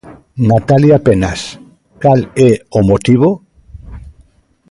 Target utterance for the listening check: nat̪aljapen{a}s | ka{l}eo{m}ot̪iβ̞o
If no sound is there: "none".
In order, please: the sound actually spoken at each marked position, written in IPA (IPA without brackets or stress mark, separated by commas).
a, l, m